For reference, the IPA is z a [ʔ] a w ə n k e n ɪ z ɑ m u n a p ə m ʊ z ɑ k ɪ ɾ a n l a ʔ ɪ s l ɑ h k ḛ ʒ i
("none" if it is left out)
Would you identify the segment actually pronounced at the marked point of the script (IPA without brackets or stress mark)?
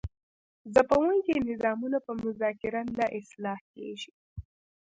p